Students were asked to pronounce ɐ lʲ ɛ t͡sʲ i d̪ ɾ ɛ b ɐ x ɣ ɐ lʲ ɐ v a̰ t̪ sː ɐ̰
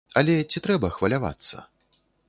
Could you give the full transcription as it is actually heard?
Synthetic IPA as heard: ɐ lʲ ɛ t͡sʲ i t̪ ɾ ɛ b ɐ x v ɐ lʲ a v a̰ t̪ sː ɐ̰